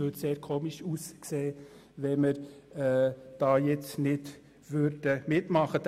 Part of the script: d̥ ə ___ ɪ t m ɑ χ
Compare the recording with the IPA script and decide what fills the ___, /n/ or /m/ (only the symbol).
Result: m